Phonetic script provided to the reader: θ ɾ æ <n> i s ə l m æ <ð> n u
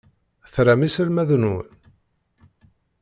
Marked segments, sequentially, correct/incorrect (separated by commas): incorrect, correct